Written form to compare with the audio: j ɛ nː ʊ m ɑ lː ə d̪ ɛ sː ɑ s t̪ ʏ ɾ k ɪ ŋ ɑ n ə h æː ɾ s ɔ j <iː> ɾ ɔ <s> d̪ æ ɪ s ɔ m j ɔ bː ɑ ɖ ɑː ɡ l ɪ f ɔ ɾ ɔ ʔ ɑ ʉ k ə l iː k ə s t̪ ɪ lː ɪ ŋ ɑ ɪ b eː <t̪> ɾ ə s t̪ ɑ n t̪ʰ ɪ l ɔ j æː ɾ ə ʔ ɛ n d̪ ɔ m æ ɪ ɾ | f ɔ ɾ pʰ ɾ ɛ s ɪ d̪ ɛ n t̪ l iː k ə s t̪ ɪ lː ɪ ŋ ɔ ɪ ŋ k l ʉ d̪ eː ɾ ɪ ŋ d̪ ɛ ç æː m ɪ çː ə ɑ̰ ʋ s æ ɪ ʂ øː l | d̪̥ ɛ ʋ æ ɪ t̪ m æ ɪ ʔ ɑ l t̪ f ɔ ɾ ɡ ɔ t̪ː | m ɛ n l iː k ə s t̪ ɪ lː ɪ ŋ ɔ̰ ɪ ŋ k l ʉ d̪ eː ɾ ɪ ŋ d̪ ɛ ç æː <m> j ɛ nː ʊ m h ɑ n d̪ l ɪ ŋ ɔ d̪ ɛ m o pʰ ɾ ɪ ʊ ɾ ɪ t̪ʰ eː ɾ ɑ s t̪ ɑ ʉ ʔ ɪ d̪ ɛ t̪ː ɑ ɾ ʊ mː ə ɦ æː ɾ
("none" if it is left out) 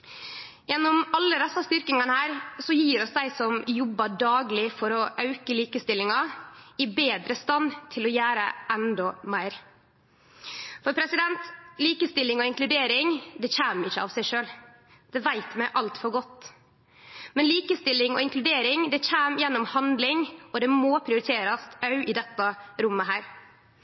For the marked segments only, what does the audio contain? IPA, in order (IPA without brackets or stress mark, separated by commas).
iː, s, d̪, m